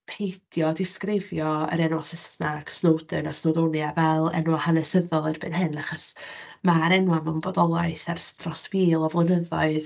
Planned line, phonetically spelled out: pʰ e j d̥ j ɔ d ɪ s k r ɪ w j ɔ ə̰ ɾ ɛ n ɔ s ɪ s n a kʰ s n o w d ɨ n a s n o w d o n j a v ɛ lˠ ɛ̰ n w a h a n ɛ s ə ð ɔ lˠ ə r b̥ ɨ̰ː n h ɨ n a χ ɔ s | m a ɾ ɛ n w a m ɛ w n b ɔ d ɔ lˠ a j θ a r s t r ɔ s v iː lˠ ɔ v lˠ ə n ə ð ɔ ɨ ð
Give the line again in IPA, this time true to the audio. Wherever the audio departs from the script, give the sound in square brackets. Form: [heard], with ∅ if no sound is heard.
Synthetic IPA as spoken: pʰ e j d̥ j ɔ d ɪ s k r ɪ [v] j ɔ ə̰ ɾ ɛ n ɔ s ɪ s n a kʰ s n o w d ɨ n a s n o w d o n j a v ɛ lˠ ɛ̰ n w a h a n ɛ s ə ð ɔ lˠ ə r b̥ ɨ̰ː n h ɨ n a χ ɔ s | m a ɾ ɛ n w a m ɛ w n b ɔ d ɔ lˠ a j θ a r s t r ɔ s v iː lˠ ɔ v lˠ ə n ə ð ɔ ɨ ð